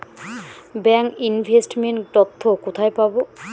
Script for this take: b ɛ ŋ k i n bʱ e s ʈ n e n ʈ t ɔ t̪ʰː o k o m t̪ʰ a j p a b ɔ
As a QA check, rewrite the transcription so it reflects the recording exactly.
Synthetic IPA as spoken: b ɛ ŋ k i n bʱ e s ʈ m e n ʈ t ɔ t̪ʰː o k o t̪ʰ a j p a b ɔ

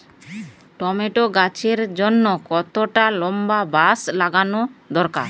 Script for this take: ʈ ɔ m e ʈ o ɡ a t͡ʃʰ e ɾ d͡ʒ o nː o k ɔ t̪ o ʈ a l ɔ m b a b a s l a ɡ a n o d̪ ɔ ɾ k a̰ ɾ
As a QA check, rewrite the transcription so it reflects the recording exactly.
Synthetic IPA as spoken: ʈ ɔ m e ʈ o ɡ a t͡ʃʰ e ɾ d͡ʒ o nː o k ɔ t̪ o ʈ a l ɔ m b a b a s l a ɡ a n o d̪ ɔ ɾ k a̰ ɾ

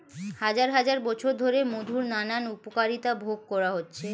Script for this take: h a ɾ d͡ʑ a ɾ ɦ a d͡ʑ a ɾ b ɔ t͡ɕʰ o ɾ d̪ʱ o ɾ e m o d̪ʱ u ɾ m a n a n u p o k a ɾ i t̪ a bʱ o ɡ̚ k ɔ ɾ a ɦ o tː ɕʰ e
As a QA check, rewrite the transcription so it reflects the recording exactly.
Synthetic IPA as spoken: h a d͡ʑ a ɾ ɦ a d͡ʑ a ɾ b ɔ t͡ɕʰ o ɾ d̪ʱ o ɾ e m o d̪ʱ u ɾ n a n a n u p o k a ɾ i t̪ a bʱ o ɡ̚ k ɔ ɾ a ɦ o tː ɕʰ e

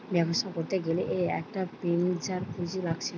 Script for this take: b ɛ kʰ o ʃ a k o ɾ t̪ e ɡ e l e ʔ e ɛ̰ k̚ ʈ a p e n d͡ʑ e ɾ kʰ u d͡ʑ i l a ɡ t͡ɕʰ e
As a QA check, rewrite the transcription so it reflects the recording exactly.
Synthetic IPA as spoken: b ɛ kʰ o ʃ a k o ɾ t̪ e ɡ e l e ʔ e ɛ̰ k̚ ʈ a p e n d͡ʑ a ɾ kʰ u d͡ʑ i l a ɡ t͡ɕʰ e

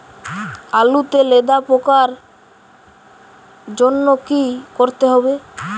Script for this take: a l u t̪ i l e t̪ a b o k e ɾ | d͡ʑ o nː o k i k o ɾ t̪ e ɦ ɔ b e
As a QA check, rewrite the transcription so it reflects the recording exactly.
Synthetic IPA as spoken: a l u t̪ e l e d̪ a p o k a ɾ | d͡ʑ o nː o k i k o ɾ t̪ e ɦ ɔ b e

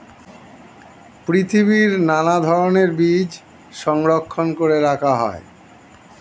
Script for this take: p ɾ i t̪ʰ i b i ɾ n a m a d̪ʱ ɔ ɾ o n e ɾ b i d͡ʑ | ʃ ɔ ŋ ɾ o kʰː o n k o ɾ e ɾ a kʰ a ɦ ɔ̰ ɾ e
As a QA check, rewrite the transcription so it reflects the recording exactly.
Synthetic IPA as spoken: p ɾ i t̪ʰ i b i ɾ n a n a d̪ʱ ɔ ɾ o n e ɾ b i d͡ʑ | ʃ ɔ ŋ ɾ o kʰː o n k o ɾ e ɾ a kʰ a ɦ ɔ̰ e

